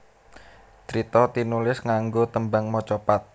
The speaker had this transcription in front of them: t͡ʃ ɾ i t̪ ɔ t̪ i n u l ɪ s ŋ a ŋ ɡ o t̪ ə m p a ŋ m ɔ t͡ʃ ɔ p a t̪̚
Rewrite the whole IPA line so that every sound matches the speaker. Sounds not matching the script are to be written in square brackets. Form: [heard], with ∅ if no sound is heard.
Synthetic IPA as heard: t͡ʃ ɾ i t̪ ɔ t̪ i n u l ɪ s ŋ a ŋ ɡ o t̪ ə m [b] a ŋ m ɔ t͡ʃ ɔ p a t̪̚